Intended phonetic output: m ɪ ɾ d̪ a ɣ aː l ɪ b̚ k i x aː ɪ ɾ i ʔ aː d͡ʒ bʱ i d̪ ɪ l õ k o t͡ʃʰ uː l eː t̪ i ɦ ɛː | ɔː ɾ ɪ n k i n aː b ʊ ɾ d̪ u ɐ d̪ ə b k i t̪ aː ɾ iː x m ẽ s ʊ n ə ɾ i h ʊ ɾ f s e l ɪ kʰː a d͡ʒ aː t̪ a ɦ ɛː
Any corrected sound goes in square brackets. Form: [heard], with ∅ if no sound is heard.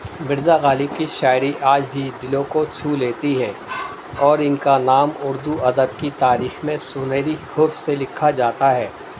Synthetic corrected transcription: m ɪ ɾ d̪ a ɣ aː l ɪ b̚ k i [ʃ] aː ɪ ɾ i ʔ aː d͡ʒ bʱ i d̪ ɪ l õ k o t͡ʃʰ uː l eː t̪ i ɦ ɛː | ɔː ɾ ɪ n k [a] n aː [m] ʊ ɾ d̪ u ɐ d̪ ə b k i t̪ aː ɾ iː x m ẽ s ʊ n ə ɾ i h ʊ ɾ f s e l ɪ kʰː a d͡ʒ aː t̪ a ɦ ɛː